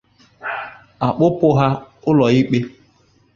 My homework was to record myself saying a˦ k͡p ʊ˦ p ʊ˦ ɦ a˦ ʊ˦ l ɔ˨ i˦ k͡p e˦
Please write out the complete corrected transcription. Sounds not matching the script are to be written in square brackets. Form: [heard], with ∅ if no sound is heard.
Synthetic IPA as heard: [a˨] k͡p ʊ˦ p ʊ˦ ɦ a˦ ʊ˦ l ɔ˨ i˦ k͡p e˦